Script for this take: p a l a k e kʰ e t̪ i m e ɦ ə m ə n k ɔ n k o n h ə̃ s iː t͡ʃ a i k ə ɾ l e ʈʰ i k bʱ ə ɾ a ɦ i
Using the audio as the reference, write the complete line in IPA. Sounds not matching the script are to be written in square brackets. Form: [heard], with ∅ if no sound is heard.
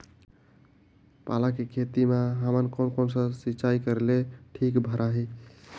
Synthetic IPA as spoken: p a l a k e kʰ e t̪ i m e ɦ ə m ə n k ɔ n k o n [s] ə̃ s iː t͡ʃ a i k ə ɾ l e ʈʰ i k bʱ ə ɾ a ɦ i